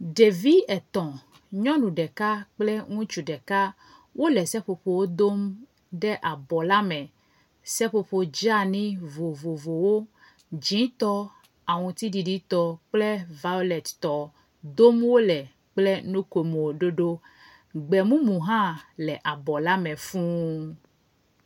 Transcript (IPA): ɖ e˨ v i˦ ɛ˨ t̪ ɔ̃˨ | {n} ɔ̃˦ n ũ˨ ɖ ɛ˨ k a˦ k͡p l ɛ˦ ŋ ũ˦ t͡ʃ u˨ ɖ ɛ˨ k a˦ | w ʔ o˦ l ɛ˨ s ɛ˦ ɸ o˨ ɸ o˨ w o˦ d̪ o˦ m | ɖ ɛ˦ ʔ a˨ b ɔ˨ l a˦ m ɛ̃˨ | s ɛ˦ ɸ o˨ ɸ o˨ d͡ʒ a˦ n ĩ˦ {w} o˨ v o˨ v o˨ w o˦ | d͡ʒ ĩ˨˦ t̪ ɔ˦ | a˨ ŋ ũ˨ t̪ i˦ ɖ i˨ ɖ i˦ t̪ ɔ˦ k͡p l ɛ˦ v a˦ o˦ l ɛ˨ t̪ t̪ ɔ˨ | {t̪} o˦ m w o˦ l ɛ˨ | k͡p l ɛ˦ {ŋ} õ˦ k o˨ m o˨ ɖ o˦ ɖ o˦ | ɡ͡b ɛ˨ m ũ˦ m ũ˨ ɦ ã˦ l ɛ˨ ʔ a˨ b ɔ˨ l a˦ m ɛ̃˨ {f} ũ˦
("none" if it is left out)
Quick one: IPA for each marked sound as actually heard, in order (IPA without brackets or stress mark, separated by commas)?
ɲ, v, d̪, n, f